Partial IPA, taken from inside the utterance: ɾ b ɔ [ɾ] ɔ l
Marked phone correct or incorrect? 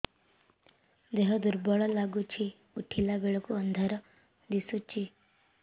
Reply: incorrect